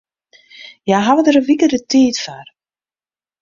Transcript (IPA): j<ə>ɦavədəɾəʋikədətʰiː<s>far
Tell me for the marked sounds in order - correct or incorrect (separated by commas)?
incorrect, incorrect